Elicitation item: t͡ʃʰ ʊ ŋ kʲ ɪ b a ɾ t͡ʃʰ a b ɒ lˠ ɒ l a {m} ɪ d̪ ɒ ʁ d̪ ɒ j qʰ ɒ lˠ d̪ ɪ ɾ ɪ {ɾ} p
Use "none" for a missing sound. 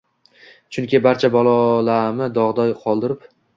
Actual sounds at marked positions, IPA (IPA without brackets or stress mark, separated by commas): m, none